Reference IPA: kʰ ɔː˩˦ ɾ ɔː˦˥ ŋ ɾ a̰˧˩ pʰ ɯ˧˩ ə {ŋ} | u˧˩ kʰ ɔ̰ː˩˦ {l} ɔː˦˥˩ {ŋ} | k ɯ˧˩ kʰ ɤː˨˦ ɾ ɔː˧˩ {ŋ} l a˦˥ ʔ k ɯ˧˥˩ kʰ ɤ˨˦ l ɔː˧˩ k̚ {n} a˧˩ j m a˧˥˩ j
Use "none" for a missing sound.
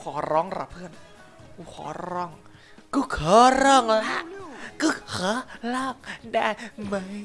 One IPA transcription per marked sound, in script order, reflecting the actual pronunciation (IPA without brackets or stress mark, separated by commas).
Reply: n, ɾ, ŋ, ŋ, d